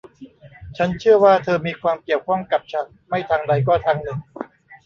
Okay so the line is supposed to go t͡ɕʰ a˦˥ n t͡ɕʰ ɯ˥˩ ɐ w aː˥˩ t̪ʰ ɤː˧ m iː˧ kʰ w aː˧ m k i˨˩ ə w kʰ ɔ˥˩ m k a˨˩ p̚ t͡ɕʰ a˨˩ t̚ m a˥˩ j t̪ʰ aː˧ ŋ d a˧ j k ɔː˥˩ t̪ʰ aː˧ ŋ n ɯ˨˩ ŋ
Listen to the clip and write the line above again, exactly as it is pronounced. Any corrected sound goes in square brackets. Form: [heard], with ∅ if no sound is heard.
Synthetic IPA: t͡ɕʰ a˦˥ n t͡ɕʰ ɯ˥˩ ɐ w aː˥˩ t̪ʰ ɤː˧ m iː˧ kʰ w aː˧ m k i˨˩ ə w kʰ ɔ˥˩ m k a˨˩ p̚ t͡ɕʰ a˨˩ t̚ m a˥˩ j t̪ʰ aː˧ ŋ d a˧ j k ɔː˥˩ t̪ʰ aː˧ ŋ n ɯ˨˩ ŋ

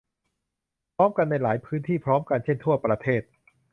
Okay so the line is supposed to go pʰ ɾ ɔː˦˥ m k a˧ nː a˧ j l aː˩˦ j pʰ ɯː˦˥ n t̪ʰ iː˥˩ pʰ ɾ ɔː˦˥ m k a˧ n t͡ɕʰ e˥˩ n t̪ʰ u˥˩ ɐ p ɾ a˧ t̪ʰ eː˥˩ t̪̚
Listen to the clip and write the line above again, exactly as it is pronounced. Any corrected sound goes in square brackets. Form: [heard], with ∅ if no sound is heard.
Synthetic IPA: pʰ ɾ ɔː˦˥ m k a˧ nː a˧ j l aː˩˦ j pʰ ɯː˦˥ n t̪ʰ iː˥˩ pʰ ɾ ɔː˦˥ m k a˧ n t͡ɕʰ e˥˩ n t̪ʰ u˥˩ ɐ p ɾ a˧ t̪ʰ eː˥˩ t̪̚

